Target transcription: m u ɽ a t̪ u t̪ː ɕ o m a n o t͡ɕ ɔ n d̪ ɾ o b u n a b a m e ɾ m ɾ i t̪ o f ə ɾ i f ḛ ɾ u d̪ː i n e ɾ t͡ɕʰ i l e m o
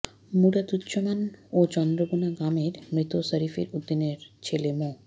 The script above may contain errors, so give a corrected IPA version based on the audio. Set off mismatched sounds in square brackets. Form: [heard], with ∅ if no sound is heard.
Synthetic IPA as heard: m u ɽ a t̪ u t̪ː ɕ o m a n o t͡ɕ ɔ n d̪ ɾ o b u n a [ɡ] a m e ɾ m ɾ i t̪ o [s] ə ɾ i f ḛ ɾ u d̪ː i n e ɾ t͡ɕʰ [e] l e m o

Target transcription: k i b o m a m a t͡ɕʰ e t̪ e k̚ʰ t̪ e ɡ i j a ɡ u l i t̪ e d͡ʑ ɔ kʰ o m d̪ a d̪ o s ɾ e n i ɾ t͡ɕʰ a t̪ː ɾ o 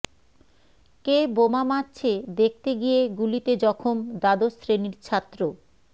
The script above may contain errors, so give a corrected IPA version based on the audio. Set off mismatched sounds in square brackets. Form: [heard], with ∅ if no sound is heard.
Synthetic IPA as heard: k [e] b o m a m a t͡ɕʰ e [d̪] e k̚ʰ t̪ e ɡ i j [e] ɡ u l i t̪ e d͡ʑ ɔ kʰ o m d̪ a d̪ o s ɾ e n i ɾ t͡ɕʰ a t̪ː ɾ o

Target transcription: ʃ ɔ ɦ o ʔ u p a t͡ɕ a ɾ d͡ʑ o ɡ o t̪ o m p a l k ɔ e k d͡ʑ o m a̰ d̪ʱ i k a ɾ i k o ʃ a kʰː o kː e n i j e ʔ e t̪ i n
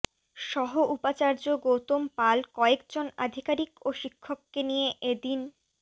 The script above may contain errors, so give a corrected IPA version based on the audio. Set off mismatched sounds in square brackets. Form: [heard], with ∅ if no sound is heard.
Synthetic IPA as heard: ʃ ɔ ɦ o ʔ u p a t͡ɕ a ɾ d͡ʑ o ɡ o t̪ o m p a l k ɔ e k d͡ʑ o [n] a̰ d̪ʱ i k a ɾ i k o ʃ [i] kʰː o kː e n i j e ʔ e [d̪] i n

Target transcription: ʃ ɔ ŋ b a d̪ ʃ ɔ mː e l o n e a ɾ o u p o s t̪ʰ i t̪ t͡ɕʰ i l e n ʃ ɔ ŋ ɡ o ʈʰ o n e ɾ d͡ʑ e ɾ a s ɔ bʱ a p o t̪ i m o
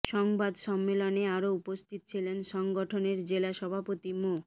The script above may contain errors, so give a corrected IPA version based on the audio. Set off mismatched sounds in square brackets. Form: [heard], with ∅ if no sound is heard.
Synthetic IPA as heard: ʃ ɔ ŋ b a d̪ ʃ ɔ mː e l o n e a ɾ o u p o s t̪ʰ i t̪ t͡ɕʰ i l e n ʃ ɔ ŋ ɡ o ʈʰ o n e ɾ d͡ʑ e [l] a [ʃ] ɔ bʱ a p o t̪ i m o

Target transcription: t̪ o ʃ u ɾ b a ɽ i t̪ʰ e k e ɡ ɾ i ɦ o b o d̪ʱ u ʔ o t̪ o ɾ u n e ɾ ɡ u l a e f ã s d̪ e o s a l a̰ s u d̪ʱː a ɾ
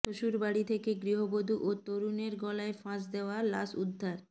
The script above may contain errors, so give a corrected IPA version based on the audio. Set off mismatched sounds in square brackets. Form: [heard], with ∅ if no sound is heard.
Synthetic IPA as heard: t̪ o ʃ u ɾ b a ɽ i t̪ʰ e k e ɡ ɾ i ɦ o b o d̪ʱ u ʔ o t̪ o ɾ u n e ɾ ɡ [ɔ] l a e f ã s d̪ e o [∅] a l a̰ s u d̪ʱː a ɾ

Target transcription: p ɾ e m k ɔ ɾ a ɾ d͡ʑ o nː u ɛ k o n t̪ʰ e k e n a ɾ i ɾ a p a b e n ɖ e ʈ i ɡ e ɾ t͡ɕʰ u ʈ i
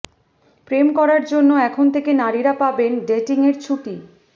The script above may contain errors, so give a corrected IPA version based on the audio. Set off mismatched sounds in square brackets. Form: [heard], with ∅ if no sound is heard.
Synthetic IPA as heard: p ɾ e m k ɔ ɾ a ɾ d͡ʑ o nː [o] ɛ [kʰ] o n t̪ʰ e k e n a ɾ i ɾ a p a b e n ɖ e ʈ i [ŋ] e ɾ t͡ɕʰ u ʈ i

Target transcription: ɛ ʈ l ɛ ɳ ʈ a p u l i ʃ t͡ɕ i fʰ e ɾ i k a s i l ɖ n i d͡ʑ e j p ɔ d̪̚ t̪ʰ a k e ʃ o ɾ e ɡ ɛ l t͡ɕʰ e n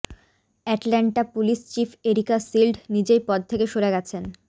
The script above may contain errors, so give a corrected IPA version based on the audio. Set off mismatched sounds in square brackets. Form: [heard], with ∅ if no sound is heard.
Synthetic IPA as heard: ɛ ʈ l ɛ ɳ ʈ a p u l i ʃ t͡ɕ i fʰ e ɾ i k a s i l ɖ n i d͡ʑ e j p ɔ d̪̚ t̪ʰ [e] k e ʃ o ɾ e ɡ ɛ [∅] t͡ɕʰ e n

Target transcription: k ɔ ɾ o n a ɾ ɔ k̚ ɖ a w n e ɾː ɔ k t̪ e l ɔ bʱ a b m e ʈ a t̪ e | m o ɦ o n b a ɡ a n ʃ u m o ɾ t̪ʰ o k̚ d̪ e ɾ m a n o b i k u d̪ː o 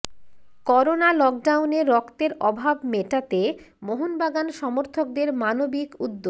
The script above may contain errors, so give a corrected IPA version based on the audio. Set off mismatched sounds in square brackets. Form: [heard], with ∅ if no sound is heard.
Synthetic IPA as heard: k ɔ ɾ o n a [l] ɔ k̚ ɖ a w n e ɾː ɔ k t̪ e [ɾ] ɔ bʱ a b m e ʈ a t̪ e | m o ɦ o n b a ɡ a n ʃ [ɔ] m o ɾ t̪ʰ o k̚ d̪ e ɾ m a n o b i k u d̪ː o

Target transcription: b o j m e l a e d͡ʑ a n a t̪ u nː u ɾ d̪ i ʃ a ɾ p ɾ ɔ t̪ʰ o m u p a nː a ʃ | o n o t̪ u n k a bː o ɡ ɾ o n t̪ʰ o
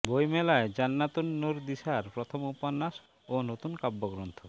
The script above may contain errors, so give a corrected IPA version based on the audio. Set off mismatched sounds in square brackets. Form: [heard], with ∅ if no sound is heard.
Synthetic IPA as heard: b o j m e l a e d͡ʑ a [nː] a t̪ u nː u ɾ d̪ i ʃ a ɾ p ɾ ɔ t̪ʰ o m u p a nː a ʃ | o n o t̪ u n k a bː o ɡ ɾ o n t̪ʰ o

